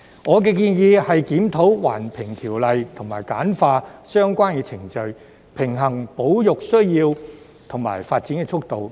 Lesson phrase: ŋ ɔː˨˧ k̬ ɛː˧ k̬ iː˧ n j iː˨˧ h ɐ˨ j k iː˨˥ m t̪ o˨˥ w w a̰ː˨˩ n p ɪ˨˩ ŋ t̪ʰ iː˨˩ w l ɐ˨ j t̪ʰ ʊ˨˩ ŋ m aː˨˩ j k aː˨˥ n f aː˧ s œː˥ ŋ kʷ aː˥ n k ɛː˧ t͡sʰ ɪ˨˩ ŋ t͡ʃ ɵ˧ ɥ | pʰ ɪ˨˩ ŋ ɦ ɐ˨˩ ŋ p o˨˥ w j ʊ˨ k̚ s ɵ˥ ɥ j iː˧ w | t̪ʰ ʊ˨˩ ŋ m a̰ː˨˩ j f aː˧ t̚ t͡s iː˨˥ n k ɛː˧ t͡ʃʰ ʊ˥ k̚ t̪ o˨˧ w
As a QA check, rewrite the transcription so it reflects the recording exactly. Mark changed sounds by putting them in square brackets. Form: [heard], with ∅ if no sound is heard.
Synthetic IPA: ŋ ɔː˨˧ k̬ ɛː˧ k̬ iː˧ n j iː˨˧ h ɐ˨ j k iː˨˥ m [t̪ʰ] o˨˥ w w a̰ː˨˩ n [pʰ] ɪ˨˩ ŋ t̪ʰ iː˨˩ w l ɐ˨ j t̪ʰ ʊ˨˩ ŋ m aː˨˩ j k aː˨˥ n f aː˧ s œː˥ ŋ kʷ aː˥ n k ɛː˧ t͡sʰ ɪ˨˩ ŋ t͡ʃ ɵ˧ ɥ | pʰ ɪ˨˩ ŋ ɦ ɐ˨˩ ŋ p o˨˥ w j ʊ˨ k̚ s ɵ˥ ɥ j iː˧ w | t̪ʰ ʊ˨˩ ŋ m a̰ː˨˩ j f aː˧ t̚ t͡s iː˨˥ n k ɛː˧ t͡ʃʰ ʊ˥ k̚ t̪ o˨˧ w

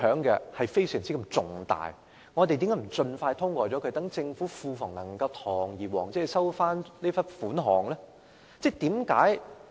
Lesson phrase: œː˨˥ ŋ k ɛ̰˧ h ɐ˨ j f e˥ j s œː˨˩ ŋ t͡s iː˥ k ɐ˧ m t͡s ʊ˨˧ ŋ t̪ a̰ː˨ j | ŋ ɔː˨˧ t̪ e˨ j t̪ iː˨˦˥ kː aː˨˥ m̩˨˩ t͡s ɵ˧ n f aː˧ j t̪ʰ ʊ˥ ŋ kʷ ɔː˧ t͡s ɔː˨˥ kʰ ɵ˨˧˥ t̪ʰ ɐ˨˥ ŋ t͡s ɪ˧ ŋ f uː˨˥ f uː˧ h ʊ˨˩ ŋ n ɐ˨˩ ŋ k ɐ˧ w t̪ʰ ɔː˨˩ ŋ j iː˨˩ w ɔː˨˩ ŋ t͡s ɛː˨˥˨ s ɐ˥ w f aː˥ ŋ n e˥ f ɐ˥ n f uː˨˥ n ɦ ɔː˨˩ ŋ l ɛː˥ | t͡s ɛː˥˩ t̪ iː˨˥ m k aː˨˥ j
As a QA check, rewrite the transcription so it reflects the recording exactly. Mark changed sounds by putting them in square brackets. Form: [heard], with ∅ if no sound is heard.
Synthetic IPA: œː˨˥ ŋ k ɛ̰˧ h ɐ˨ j f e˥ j s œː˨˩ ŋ t͡s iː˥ k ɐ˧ m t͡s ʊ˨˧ ŋ t̪ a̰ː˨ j | ŋ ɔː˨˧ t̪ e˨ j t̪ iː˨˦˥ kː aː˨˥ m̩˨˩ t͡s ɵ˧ n f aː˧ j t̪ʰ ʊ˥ ŋ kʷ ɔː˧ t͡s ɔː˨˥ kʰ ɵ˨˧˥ [t̪] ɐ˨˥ ŋ t͡s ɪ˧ ŋ f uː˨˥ f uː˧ [f] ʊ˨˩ ŋ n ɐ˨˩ ŋ k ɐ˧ w t̪ʰ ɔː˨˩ ŋ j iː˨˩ w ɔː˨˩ ŋ t͡s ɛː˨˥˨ s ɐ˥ w f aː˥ [n] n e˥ f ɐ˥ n f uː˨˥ n ɦ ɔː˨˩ ŋ l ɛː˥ | t͡s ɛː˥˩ t̪ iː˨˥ m k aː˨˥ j

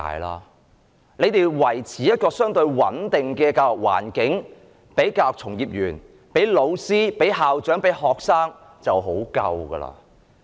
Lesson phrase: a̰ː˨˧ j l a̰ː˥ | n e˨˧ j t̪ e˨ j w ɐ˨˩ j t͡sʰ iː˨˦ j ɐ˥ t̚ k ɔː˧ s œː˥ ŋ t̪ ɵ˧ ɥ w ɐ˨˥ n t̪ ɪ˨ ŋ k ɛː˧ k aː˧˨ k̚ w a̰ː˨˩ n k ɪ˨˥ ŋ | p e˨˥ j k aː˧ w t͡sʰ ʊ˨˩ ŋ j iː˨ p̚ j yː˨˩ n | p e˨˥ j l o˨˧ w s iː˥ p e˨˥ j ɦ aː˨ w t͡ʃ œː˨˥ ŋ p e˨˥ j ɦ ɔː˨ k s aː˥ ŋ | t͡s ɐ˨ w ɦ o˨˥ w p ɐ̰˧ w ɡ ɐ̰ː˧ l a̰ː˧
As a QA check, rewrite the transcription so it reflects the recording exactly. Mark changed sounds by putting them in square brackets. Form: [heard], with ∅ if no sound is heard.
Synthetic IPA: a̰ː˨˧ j l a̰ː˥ | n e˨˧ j t̪ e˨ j w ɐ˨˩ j t͡sʰ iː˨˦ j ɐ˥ t̚ k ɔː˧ s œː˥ ŋ t̪ ɵ˧ ɥ w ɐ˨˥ n t̪ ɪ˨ ŋ k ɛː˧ k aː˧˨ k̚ w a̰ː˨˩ n k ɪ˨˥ ŋ | p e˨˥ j k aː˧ w t͡sʰ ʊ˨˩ ŋ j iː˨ p̚ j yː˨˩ n | p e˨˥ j l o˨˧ w s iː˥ p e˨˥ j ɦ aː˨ w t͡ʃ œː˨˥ ŋ p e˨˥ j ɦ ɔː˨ k s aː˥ ŋ | t͡s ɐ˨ w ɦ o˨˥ w [k] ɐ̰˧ w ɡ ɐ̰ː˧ l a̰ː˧

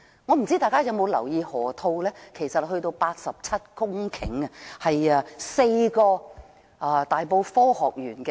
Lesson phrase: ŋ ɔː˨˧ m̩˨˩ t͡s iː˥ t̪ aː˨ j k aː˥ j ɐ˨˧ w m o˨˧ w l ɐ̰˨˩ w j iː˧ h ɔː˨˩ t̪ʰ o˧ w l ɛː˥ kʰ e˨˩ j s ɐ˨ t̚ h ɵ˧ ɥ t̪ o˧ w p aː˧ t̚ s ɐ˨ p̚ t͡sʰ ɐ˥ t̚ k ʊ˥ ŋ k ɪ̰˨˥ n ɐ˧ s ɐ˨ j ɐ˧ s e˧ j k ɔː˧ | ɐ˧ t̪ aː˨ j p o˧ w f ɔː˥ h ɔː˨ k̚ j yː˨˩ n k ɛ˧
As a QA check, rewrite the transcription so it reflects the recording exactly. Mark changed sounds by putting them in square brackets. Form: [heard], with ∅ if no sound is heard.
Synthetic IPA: ŋ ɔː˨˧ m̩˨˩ t͡s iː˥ t̪ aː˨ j k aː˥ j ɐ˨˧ w m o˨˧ w l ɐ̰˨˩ w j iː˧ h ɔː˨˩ t̪ʰ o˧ w l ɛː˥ kʰ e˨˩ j s ɐ˨ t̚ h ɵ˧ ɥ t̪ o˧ w p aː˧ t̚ s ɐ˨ p̚ t͡sʰ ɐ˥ t̚ k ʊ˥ ŋ [kʰ] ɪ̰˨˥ [ŋ] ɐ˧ [h] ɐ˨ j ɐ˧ s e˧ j k ɔː˧ | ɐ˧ t̪ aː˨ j p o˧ w f ɔː˥ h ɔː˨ k̚ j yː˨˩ n k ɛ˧

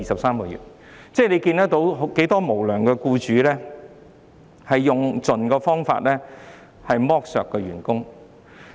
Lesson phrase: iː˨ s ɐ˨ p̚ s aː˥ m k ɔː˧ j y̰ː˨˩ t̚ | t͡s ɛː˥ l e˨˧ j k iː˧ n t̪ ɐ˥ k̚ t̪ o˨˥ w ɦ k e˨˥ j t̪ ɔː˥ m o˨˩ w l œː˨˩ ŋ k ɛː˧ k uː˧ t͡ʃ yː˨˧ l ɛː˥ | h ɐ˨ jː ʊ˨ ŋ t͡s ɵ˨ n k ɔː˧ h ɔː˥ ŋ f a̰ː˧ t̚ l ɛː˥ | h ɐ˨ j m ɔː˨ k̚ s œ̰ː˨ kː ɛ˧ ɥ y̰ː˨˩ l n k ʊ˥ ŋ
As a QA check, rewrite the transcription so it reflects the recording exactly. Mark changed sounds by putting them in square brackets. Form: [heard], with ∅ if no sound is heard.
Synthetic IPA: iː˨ s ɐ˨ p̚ s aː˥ m k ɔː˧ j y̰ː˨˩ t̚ | t͡s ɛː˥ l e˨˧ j k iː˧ n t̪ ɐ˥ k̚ t̪ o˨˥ w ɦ k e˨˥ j t̪ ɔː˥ m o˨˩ w l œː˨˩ ŋ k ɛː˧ k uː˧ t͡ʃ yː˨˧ l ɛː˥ | h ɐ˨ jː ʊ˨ ŋ t͡s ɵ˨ n k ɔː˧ [f] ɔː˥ ŋ f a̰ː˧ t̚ l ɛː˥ | h ɐ˨ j m [ɔː˥] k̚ s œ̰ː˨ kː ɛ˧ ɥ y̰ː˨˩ [∅] n k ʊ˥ ŋ

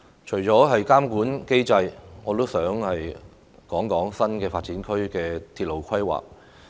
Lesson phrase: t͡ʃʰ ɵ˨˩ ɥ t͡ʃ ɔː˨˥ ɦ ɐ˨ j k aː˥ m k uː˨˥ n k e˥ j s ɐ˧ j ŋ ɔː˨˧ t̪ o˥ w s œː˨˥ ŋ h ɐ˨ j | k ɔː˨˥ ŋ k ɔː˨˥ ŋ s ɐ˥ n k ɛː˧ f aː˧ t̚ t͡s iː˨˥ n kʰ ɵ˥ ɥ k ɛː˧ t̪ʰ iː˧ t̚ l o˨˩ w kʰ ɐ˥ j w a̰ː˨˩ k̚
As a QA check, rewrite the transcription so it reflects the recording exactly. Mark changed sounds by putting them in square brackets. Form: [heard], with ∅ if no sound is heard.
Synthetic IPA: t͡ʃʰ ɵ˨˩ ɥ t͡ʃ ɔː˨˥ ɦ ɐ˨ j k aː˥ m k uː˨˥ n k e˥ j [t͡s] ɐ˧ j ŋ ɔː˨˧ t̪ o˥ w s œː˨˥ ŋ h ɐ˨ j | k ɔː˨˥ ŋ k ɔː˨˥ ŋ s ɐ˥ n k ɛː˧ f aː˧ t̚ t͡s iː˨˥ n kʰ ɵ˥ ɥ k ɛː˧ t̪ʰ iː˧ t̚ l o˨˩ w kʰ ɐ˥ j w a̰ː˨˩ k̚

